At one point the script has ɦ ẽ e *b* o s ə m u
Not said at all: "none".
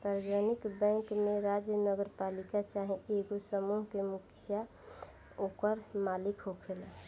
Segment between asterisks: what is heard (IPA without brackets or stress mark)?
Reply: ɡ